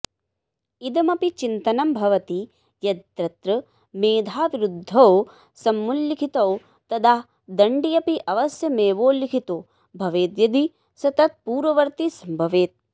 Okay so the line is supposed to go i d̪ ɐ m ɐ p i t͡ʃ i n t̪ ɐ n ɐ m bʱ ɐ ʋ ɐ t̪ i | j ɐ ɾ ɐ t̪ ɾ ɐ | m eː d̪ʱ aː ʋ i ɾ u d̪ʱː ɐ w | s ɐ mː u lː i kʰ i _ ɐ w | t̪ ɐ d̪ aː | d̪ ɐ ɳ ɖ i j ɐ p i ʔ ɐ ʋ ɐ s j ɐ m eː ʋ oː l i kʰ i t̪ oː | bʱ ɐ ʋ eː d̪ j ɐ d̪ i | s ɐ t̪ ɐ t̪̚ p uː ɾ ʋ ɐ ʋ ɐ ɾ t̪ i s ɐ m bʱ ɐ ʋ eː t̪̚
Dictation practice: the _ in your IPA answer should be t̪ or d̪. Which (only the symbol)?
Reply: t̪